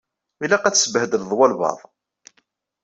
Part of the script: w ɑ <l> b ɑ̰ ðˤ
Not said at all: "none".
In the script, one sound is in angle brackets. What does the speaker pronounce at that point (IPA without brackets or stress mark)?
l